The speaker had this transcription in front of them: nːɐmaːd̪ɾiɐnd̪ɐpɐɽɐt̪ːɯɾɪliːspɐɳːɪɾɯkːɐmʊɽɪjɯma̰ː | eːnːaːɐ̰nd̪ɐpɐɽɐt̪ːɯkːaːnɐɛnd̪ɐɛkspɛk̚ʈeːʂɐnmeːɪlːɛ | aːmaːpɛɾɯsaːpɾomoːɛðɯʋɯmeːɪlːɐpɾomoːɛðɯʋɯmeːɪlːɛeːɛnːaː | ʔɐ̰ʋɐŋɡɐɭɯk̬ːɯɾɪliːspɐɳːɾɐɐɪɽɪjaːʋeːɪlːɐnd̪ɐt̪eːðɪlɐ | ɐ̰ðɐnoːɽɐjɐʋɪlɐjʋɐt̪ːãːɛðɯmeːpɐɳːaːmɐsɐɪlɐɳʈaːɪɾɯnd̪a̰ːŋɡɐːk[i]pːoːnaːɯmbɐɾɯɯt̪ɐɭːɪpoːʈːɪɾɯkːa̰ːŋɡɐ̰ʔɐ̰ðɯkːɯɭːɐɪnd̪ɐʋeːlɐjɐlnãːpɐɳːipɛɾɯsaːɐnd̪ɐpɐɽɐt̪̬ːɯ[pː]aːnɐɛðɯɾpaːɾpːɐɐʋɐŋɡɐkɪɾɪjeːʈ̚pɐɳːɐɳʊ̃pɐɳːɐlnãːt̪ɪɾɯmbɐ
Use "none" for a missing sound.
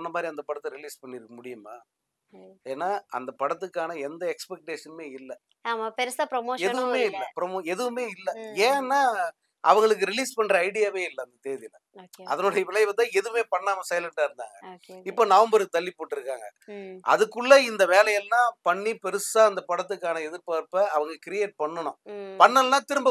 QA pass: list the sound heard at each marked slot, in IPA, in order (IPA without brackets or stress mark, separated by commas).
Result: ɪ, kː